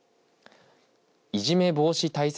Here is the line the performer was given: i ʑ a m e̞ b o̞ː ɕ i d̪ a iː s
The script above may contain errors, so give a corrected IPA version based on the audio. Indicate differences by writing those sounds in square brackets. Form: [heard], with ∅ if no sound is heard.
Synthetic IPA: i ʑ [i] m e̞ b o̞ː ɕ i [t̪] a [i] s